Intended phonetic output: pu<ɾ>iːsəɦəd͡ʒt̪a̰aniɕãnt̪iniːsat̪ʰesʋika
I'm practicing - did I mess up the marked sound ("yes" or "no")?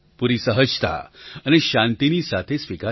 no